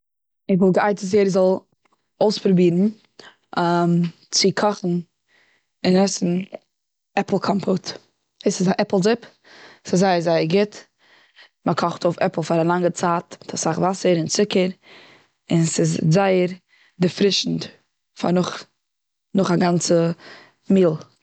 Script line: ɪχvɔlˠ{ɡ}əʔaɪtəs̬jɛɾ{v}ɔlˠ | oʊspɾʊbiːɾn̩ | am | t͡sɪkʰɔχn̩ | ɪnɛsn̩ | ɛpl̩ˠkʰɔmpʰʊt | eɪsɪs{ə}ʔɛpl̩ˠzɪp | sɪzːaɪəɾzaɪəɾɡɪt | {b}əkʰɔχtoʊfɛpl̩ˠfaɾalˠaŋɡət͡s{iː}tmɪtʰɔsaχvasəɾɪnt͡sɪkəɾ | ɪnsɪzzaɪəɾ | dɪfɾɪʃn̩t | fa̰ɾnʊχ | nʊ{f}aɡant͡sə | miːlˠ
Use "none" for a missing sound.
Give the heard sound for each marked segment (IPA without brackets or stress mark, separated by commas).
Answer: ɡ, z, a, m, aː, χ